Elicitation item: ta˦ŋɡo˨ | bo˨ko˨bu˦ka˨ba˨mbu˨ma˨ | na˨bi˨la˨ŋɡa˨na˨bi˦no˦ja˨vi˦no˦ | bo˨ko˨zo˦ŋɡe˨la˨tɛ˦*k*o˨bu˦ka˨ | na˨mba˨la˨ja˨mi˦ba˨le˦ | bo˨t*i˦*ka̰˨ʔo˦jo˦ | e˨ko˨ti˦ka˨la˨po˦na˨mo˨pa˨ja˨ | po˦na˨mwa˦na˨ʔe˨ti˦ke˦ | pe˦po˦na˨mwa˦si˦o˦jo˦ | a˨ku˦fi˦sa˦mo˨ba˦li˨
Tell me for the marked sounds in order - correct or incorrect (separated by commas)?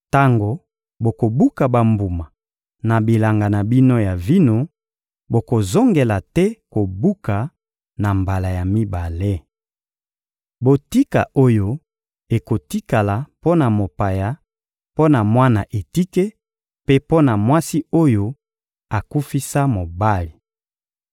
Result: correct, correct